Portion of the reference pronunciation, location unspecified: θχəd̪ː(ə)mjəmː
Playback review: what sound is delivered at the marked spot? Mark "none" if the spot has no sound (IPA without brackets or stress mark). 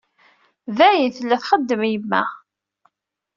ə